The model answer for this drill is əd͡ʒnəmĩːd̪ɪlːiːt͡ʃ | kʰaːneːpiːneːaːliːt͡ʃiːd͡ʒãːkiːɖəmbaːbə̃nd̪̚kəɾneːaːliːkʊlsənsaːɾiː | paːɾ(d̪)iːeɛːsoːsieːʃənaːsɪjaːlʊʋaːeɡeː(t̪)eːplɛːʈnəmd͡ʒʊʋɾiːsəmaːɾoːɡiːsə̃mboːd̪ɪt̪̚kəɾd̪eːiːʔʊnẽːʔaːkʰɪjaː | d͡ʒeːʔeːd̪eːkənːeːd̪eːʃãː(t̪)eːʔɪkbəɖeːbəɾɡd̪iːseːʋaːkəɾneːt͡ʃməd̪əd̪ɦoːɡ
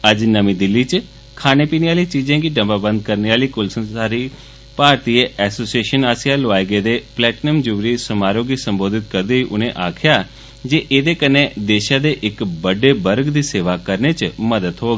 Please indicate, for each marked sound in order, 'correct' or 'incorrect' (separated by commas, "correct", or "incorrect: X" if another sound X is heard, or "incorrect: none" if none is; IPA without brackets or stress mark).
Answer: incorrect: t̪, incorrect: d̪, incorrect: d̪